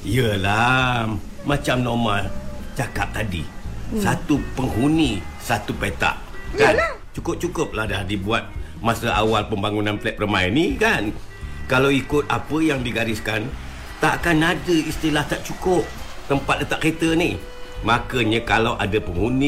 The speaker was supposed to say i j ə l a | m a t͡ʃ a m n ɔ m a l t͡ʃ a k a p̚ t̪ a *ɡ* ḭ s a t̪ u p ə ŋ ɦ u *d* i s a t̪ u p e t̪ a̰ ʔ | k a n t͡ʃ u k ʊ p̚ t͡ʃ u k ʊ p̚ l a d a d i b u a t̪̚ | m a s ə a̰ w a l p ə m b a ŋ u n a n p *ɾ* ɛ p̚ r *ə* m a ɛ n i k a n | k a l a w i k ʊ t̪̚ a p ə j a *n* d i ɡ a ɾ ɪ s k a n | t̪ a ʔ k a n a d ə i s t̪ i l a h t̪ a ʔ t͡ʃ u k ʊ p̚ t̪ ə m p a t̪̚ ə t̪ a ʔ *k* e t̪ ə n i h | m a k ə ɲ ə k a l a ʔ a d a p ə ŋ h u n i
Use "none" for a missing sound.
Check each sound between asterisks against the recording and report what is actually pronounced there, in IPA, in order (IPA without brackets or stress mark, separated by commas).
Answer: d, n, l, ə, ŋ, k